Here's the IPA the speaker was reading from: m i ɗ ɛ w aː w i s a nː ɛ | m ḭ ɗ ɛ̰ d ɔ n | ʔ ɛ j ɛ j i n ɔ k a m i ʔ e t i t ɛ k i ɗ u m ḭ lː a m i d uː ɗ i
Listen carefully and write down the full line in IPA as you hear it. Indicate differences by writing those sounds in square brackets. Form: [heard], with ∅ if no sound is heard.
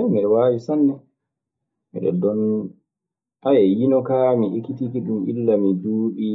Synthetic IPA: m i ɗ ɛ w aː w i s a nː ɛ | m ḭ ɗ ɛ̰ d ɔ n | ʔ [a] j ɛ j i n ɔ k a m i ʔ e [k] i t [i] k i ɗ u m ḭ lː a m i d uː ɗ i

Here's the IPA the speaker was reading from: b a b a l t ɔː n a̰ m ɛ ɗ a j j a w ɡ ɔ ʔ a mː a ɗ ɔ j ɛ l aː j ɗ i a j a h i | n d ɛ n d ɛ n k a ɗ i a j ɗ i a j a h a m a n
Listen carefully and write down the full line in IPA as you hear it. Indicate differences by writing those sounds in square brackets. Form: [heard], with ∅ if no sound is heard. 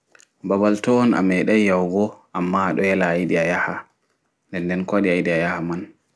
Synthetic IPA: b a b a l t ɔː n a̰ m ɛ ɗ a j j a w ɡ ɔ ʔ a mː a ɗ ɔ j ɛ l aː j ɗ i a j a h [a] | n d ɛ n d ɛ n k a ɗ i a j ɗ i a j a h a m a n

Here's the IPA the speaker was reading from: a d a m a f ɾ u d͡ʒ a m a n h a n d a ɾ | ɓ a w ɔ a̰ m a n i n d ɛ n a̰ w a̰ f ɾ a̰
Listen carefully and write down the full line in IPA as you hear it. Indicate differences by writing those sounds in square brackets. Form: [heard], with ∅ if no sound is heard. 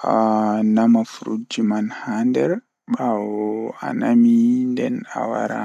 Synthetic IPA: a [n] a m a f ɾ u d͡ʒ [i] m a n h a n d [ɛ] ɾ | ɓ a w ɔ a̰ [n] a [m] i n d ɛ n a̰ w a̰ [∅] ɾ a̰

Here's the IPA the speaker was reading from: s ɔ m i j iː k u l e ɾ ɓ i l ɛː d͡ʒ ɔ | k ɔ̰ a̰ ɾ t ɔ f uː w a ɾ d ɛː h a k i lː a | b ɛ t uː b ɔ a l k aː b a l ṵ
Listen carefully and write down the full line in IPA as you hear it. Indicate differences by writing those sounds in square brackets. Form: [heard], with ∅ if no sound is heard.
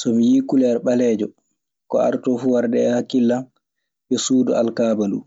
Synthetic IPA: s ɔ m i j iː k u l [ɛ] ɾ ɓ [a] l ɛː d͡ʒ ɔ | k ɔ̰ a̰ ɾ t ɔ f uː w a ɾ d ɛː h a k i lː a | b ɛ [s] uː [d] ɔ a l k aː b a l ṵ

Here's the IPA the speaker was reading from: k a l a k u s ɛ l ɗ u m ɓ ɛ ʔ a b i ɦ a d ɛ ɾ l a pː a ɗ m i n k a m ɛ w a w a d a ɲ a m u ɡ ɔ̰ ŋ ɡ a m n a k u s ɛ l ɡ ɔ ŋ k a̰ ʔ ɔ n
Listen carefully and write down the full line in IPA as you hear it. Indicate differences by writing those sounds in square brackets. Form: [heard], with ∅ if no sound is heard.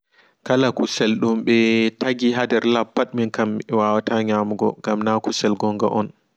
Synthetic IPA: k a l a k u s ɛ l ɗ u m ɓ ɛ [t] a [ɡ] i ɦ a d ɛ ɾ l a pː a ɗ m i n k a m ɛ w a w a [t] a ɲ a m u ɡ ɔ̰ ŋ ɡ a m n a k u s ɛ l ɡ ɔ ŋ [ɡ] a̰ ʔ ɔ n

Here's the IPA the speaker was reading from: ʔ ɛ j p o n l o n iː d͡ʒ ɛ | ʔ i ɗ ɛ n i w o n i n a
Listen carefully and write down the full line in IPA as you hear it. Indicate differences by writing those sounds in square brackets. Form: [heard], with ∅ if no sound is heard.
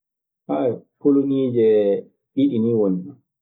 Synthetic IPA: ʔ [a] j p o [∅] l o n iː d͡ʒ ɛ | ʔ i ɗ [i] n i w o n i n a

